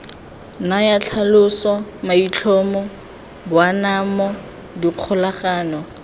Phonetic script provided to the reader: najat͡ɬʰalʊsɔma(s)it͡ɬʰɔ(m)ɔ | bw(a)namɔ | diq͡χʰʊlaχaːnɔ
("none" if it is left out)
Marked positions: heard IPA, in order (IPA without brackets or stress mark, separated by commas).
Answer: none, m, a